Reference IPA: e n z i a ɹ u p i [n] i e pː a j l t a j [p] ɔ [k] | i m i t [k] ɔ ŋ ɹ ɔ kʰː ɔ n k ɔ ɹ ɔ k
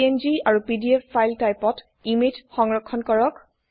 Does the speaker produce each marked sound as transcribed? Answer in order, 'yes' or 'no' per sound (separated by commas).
no, yes, no, no